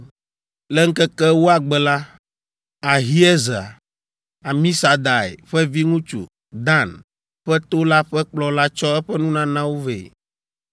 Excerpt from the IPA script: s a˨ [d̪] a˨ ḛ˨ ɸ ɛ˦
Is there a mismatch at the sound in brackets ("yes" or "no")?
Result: no